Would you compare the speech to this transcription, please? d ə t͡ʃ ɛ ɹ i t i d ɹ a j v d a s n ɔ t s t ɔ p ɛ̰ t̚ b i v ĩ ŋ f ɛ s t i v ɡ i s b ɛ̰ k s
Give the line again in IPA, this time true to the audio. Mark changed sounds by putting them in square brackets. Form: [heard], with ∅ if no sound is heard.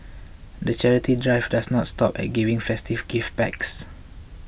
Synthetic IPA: d ə t͡ʃ ɛ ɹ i t i d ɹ a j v d a s n ɔ t s t ɔ p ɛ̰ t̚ [ɡ] i v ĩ ŋ f ɛ s t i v ɡ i [f] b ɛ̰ k s

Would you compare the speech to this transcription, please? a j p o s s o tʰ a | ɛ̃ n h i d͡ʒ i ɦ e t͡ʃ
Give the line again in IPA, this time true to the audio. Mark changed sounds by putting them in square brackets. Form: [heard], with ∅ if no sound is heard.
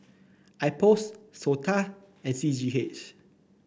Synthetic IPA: a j p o s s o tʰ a | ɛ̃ n [s] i d͡ʒ i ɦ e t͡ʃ

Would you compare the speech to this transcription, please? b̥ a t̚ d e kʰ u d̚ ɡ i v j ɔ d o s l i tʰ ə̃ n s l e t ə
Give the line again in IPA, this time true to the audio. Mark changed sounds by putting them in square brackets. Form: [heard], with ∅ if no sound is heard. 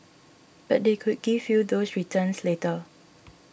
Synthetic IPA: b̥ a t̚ d e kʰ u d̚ ɡ i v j [u] d o s [ɹ] i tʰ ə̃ n s l e t ə

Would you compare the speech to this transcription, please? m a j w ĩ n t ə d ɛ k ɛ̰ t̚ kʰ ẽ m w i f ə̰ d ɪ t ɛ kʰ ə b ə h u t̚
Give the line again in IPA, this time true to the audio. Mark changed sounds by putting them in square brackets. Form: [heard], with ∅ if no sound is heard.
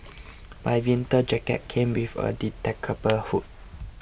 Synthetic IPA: m a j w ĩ n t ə [d͡ʒ] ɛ k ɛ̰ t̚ kʰ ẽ m w i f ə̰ d [i] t ɛ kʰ ə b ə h u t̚

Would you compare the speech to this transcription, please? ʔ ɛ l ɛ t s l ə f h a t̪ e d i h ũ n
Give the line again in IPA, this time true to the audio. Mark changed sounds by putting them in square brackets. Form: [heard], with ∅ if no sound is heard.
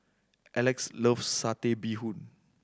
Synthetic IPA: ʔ ɛ l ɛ [k] s l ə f [s] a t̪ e [b] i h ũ n

